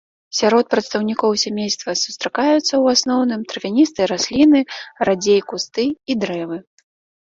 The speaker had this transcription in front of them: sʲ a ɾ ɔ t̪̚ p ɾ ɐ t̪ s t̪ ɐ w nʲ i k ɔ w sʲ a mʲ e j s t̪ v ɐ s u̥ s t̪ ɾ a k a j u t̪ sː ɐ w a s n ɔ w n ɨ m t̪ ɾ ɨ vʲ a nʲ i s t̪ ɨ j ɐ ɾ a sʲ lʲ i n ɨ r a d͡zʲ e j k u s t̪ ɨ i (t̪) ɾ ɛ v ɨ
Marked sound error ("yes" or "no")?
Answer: yes